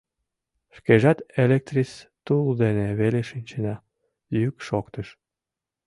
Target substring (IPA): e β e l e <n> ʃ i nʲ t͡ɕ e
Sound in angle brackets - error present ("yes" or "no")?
yes